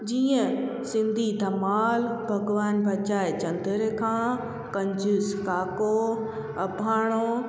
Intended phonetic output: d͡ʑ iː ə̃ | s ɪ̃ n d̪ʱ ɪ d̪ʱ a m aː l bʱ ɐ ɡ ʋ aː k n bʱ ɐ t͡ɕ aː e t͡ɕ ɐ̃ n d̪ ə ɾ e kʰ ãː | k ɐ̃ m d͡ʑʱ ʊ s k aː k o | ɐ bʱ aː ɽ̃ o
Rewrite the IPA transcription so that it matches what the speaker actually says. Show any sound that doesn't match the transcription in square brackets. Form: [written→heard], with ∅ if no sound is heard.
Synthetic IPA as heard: d͡ʑ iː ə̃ | s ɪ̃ n d̪ʱ [ɪ→i] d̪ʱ [a→ɐ] m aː l bʱ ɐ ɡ ʋ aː [k→∅] n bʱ ɐ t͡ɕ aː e t͡ɕ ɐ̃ n d̪ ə ɾ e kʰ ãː | k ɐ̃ [m→ɲ] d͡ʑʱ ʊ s k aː k o | ɐ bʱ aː ɽ̃ o